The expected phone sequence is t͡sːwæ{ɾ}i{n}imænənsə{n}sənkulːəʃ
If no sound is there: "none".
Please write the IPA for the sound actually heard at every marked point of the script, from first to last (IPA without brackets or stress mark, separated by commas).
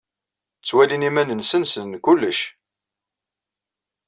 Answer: l, n, n